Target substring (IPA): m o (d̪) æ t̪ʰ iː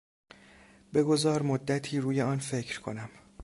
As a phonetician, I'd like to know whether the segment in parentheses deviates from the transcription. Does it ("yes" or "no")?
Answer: yes